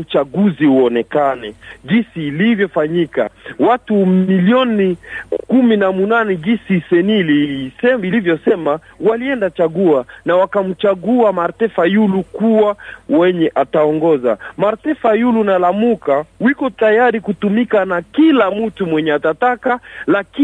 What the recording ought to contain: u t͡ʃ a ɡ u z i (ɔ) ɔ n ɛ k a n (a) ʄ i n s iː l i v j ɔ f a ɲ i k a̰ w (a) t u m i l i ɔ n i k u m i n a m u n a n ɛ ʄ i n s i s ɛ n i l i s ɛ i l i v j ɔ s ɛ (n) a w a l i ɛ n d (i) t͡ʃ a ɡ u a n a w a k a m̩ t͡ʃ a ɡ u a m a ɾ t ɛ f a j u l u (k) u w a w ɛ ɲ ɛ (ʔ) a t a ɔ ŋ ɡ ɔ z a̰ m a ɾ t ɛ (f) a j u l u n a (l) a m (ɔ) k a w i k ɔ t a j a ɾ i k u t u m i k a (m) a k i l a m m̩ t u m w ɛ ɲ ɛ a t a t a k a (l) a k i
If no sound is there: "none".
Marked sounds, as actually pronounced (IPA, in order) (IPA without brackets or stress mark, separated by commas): u, ɛ, a, m, a, k, ʔ, f, l, u, n, l